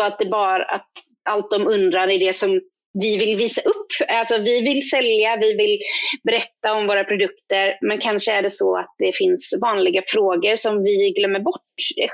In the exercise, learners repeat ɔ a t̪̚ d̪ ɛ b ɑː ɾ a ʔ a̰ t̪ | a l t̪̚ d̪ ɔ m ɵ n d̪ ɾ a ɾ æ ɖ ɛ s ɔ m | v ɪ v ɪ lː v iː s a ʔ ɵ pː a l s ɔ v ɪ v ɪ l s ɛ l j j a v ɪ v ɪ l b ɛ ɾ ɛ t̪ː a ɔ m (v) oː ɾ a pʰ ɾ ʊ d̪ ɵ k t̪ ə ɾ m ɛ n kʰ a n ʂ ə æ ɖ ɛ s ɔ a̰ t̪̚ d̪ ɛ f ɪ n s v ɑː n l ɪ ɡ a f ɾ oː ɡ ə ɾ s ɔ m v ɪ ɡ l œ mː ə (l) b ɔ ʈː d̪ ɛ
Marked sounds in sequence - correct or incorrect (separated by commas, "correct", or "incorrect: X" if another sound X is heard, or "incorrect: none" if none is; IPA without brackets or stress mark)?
correct, incorrect: ɾ